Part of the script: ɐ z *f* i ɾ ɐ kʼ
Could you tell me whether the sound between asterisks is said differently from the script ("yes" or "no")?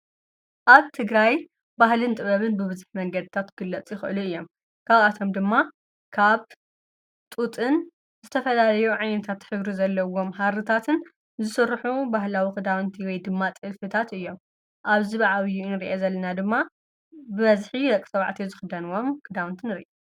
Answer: yes